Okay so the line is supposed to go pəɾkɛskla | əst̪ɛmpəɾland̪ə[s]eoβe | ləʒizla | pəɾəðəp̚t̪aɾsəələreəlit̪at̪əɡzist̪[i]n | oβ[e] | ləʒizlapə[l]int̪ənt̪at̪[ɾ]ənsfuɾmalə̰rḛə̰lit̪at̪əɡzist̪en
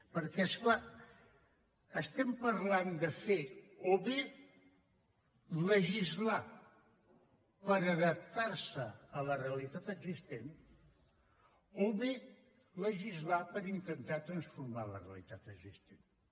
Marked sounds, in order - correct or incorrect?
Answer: incorrect: f, incorrect: e, correct, incorrect: ɾ, correct

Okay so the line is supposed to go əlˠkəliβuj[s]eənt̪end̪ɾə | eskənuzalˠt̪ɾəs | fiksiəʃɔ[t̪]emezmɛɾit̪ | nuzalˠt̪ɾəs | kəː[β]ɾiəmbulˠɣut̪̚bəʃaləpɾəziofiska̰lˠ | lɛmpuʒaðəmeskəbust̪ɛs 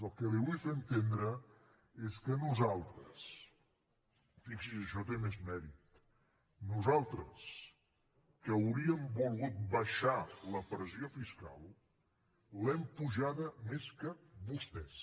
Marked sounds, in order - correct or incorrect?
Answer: incorrect: f, correct, incorrect: w

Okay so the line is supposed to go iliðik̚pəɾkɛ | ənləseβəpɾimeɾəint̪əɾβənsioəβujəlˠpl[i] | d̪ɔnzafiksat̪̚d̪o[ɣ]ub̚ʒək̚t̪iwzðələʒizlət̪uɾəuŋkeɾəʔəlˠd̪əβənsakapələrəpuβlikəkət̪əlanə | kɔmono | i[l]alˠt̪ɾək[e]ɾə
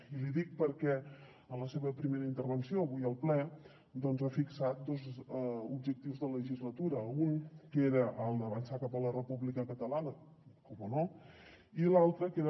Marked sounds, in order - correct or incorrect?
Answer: incorrect: ɛ, incorrect: z, correct, correct

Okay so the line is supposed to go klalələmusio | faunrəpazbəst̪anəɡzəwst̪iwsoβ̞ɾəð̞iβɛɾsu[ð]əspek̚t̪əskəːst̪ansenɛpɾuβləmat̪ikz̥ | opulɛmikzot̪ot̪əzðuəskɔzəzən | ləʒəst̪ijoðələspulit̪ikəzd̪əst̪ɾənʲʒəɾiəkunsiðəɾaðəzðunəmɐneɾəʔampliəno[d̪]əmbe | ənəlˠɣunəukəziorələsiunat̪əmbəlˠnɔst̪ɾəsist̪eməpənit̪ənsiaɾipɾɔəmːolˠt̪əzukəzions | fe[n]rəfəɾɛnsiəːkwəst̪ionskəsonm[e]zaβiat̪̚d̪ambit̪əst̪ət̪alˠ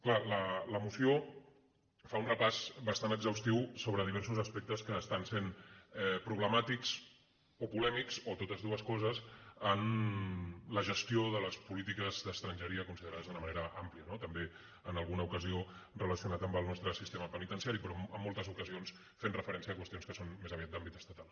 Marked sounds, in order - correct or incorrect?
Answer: incorrect: z, incorrect: t̪, correct, correct

